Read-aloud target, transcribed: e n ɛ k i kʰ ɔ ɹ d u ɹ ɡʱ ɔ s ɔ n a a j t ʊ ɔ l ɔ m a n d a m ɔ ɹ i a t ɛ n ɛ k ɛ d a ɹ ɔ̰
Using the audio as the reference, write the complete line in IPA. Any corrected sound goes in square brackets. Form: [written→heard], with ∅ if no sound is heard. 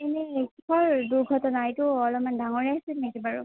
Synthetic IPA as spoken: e n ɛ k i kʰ ɔ ɹ d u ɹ ɡʱ ɔ [s→t] ɔ n a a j t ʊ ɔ l ɔ m a n d a [m→ŋ] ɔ ɹ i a [t→s] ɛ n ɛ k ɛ [d→b] a ɹ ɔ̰